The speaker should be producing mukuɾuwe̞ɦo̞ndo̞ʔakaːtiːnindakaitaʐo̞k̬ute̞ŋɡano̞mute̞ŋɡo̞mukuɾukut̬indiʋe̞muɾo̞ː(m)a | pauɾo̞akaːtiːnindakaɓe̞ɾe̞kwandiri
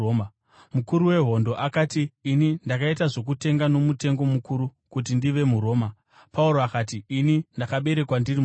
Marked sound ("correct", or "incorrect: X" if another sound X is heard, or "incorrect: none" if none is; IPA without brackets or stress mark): correct